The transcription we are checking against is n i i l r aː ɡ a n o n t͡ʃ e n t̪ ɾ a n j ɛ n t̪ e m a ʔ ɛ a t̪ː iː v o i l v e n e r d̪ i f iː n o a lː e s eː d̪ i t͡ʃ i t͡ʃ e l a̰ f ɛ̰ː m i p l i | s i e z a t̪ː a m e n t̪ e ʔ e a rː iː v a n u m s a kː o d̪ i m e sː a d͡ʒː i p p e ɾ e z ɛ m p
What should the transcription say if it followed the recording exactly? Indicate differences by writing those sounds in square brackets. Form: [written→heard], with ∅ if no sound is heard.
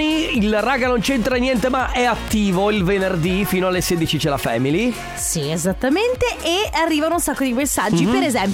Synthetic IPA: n i i l r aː ɡ a n o n t͡ʃ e n t̪ ɾ a n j ɛ n t̪ e m a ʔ ɛ a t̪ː iː v o i l v e n e r d̪ i f iː n o a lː e s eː d̪ i t͡ʃ i t͡ʃ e l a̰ f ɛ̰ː m i [p→∅] l i | s i e z a t̪ː a m e n t̪ e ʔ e a rː iː v a n u [m→n] s a kː o d̪ i m e sː a d͡ʒː i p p e ɾ e z ɛ m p